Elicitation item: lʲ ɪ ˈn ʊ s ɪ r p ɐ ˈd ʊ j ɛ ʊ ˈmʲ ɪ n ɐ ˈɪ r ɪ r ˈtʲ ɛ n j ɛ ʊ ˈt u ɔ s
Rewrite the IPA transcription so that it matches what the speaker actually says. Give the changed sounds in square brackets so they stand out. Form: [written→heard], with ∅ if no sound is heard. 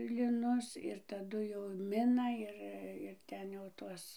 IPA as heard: lʲ ɪ ˈn ʊ s ɪ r [p→t] ɐ ˈd ʊ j ɛ ʊ ˈmʲ ɪ n ɐ ˈɪ r ɪ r ˈtʲ ɛ n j ɛ ʊ ˈt u ɔ s